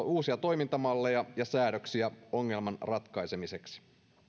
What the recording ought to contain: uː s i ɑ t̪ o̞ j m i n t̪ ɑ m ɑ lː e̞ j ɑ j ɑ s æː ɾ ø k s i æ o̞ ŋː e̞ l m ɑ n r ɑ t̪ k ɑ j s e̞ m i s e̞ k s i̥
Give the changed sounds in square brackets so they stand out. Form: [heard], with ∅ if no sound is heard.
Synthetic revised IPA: uː s i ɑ t̪ o̞ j m i n t̪ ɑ m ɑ lː e̞ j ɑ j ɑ s æː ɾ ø k s i æ o̞ ŋː e̞ l m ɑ n r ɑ t̪ k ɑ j s e̞ m i s e̞ k s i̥